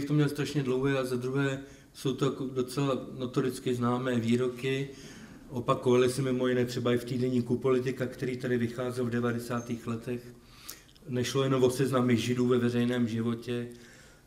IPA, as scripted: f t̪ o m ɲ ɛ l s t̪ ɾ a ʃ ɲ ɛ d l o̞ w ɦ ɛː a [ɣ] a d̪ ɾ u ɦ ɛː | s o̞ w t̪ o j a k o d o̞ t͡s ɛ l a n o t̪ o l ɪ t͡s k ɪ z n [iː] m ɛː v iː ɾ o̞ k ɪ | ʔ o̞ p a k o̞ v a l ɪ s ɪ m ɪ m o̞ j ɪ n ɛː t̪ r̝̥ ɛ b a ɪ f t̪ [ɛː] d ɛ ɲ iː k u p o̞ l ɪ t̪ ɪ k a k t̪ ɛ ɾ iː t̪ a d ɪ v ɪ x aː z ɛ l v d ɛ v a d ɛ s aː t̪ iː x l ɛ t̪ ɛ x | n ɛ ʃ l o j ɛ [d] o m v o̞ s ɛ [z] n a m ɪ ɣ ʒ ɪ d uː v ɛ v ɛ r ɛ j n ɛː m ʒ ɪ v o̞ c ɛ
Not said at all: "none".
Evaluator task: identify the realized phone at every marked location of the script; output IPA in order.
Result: z, aː, iː, n, z

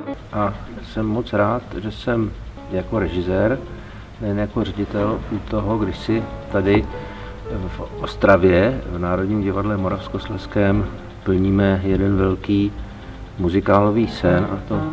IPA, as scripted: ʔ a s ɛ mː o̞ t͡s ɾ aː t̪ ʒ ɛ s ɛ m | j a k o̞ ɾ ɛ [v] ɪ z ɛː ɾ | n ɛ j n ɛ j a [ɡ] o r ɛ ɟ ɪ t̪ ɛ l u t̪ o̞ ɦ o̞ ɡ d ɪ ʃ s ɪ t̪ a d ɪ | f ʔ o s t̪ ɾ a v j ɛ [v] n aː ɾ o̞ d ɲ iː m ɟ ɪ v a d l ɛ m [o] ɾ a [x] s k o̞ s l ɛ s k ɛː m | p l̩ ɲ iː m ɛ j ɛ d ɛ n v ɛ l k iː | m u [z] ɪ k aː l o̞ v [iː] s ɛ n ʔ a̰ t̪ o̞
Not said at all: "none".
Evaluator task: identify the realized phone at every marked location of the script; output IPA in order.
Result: ʒ, k, v, o, f, z, iː

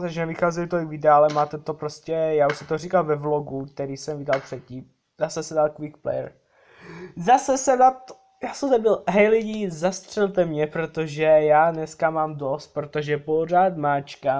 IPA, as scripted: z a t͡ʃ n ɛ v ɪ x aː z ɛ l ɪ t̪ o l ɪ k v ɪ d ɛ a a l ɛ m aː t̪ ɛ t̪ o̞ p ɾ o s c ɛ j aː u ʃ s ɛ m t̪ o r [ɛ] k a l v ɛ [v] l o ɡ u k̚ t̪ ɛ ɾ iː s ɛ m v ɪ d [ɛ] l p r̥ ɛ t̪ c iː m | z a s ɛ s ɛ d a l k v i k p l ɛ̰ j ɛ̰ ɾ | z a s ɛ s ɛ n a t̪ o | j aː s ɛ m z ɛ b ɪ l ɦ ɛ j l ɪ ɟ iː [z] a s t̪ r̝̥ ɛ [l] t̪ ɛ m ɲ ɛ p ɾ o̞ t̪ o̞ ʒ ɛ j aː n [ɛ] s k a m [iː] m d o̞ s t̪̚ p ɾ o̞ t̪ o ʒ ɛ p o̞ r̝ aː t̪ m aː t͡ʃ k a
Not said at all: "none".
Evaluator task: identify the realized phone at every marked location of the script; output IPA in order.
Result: i, v, a, z, l, ɛ, aː

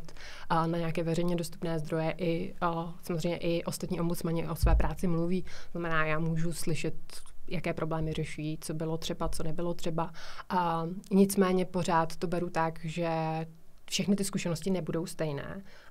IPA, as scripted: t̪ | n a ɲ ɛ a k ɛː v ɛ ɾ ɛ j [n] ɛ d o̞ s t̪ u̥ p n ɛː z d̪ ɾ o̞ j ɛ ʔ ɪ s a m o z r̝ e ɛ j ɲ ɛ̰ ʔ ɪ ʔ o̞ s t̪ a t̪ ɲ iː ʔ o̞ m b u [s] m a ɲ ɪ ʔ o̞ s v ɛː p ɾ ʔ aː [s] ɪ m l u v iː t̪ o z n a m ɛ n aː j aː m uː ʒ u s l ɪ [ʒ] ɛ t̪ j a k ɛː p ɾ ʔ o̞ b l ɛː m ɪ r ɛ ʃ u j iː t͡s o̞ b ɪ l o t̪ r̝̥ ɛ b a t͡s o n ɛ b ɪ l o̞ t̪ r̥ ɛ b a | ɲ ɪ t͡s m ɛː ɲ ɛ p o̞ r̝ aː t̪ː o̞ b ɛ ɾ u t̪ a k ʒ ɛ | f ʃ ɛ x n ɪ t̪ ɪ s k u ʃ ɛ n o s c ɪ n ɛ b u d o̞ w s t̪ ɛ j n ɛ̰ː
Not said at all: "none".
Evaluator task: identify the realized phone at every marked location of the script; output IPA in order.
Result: ɲ, t͡s, t͡s, ʃ

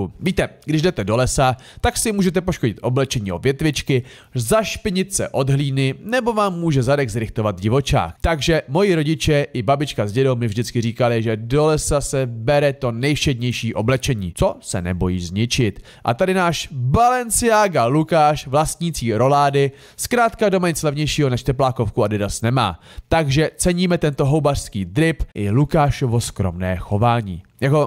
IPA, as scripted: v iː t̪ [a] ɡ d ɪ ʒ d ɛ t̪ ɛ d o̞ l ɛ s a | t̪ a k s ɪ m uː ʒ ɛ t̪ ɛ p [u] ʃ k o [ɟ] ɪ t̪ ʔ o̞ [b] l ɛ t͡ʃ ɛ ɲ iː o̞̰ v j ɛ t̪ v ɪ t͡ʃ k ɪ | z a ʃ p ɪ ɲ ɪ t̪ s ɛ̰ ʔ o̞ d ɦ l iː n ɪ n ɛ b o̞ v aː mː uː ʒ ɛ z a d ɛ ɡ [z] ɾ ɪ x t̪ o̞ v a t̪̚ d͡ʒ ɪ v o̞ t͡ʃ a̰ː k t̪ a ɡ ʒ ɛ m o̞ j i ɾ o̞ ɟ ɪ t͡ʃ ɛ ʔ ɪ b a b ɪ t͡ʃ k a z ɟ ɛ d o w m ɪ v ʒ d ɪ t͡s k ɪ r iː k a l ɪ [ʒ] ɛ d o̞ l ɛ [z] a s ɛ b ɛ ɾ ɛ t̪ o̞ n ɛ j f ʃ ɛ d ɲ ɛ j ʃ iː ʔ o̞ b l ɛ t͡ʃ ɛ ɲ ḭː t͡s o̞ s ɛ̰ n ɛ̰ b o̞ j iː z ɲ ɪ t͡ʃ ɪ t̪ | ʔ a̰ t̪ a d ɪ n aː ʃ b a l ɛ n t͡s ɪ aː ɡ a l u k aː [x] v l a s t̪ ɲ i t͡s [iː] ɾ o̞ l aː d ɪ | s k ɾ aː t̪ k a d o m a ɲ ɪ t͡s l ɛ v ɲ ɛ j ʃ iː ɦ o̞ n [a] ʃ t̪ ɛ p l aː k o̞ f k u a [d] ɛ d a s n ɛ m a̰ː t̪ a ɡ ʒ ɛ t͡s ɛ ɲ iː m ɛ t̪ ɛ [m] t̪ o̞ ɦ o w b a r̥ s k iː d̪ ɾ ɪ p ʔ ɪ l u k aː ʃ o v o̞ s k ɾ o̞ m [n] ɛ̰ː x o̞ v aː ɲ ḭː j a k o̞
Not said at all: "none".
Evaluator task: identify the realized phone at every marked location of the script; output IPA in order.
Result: ɛ, o, ɟ, b, z, ʒ, s, ʃ, iː, ɛ, d, n, n

